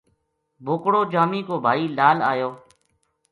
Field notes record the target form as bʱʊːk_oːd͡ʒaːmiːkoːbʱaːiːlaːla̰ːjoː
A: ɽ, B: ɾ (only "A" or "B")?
A